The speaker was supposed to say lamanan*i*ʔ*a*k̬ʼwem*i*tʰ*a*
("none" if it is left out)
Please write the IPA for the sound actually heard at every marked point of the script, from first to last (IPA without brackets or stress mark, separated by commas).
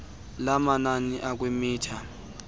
i, a, iː, a